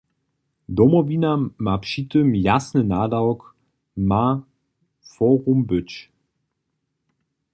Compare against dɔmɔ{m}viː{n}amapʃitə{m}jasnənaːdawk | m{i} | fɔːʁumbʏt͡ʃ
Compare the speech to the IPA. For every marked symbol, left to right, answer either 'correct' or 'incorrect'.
incorrect: none, correct, correct, incorrect: a

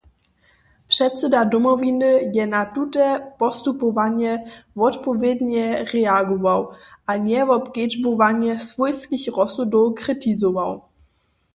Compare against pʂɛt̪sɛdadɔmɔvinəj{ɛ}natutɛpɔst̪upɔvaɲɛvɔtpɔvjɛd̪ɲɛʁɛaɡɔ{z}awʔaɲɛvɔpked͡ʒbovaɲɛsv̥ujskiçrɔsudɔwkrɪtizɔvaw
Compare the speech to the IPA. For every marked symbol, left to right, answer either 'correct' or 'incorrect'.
correct, incorrect: v

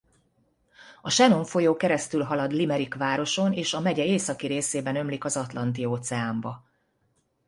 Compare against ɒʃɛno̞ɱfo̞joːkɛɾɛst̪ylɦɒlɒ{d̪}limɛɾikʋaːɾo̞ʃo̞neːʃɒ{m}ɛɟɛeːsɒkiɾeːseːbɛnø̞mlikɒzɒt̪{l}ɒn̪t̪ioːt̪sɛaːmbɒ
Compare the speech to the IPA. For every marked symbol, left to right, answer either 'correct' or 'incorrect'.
correct, correct, correct

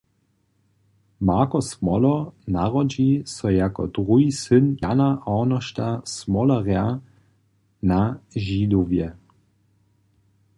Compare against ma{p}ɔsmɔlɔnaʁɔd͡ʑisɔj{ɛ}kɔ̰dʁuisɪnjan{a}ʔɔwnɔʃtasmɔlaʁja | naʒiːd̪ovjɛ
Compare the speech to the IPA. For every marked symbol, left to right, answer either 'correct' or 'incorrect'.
incorrect: k, incorrect: a, correct

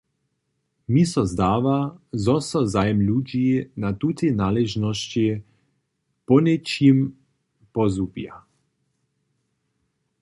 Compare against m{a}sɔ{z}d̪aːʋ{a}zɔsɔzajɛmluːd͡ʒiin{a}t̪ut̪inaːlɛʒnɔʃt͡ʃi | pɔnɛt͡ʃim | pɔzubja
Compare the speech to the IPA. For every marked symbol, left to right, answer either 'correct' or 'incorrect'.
incorrect: i, correct, correct, correct

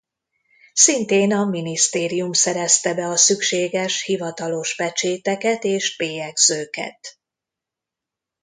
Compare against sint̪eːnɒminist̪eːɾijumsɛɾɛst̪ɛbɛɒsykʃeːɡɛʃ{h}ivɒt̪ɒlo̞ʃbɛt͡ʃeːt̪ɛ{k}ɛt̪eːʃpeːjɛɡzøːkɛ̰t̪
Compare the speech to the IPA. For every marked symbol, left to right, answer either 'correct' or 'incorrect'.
correct, correct

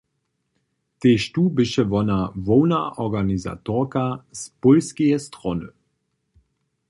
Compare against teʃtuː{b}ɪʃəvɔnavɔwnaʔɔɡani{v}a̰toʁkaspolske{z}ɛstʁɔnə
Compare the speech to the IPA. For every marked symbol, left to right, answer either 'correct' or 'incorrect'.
correct, incorrect: z, incorrect: none

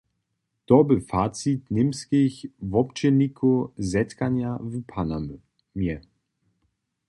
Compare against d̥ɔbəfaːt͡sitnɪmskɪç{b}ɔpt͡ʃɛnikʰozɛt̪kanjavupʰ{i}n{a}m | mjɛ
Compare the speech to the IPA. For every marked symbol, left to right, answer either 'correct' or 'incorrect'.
incorrect: v, incorrect: a, correct

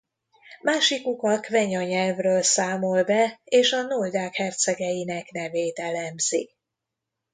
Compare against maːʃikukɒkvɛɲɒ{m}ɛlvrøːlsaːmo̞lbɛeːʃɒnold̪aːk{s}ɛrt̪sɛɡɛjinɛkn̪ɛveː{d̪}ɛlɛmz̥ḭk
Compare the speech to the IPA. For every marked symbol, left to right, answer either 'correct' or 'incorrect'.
incorrect: ɲ, incorrect: h, incorrect: t̪

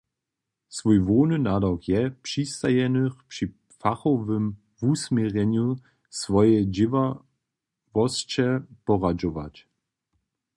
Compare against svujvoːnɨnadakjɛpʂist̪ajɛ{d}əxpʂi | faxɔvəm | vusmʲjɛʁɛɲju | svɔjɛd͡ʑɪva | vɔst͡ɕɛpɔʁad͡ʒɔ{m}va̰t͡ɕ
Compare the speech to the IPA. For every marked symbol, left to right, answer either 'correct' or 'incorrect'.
incorrect: n, incorrect: none

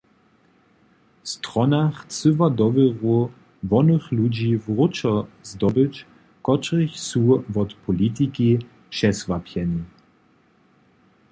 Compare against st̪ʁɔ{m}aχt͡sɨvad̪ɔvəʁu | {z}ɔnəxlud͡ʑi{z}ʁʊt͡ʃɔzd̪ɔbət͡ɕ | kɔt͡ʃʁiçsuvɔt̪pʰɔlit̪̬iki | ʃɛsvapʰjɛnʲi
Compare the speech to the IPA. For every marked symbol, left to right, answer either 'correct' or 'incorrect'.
incorrect: n, incorrect: v, incorrect: v

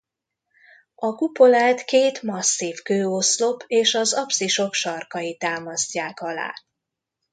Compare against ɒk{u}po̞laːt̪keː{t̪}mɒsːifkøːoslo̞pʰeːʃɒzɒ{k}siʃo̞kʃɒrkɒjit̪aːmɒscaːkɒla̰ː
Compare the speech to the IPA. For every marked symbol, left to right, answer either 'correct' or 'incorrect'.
correct, correct, incorrect: p

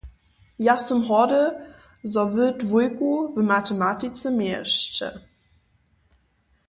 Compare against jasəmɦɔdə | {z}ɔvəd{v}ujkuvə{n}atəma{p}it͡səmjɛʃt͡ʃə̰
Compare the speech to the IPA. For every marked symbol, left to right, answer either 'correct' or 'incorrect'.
correct, correct, incorrect: m, incorrect: t

